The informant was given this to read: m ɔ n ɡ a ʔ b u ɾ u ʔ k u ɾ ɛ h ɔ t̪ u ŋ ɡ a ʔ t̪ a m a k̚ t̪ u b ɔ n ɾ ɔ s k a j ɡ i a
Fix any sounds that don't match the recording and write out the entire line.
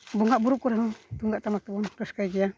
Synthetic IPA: b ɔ ŋ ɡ a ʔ b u ɾ u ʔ k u ɾ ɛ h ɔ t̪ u ŋ ɡ a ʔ t̪ a m a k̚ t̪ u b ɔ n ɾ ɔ s k a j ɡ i a